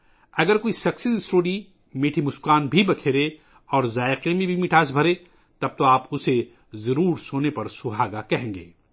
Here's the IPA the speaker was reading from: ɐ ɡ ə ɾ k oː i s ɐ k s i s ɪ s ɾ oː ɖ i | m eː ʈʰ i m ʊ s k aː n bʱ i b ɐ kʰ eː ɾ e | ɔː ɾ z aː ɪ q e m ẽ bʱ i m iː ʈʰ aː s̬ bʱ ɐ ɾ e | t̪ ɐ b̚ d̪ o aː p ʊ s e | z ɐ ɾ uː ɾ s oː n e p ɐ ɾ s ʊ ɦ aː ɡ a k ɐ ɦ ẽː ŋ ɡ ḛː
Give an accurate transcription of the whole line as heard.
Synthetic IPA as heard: ɐ ɡ ə ɾ k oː i s ɐ k s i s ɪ s ɾ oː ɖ i | m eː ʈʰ i m ʊ s k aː n bʱ i b ɐ kʰ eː ɾ e | ɔː ɾ z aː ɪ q e m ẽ bʱ i m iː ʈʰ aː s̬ bʱ ɐ ɾ e | t̪ ɐ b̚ t̪ o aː p ʊ s e | z ɐ ɾ uː ɾ s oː n e p ɐ ɾ s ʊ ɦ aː ɡ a k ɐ ɦ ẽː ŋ ɡ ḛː